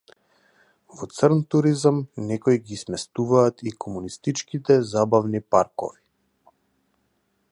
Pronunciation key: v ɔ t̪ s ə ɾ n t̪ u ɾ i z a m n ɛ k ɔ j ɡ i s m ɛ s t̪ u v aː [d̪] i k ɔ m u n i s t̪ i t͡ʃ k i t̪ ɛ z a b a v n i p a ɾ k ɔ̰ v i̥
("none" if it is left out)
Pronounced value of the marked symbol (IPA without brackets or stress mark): t̪